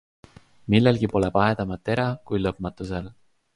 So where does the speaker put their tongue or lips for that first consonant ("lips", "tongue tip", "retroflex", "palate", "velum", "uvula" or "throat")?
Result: lips